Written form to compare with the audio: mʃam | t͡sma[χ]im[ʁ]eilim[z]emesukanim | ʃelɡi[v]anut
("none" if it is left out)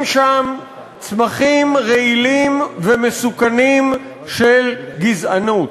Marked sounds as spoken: χ, ʁ, v, z

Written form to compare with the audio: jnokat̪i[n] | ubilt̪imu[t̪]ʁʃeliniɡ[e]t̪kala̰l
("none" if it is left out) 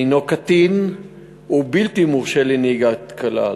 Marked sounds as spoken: n, none, a

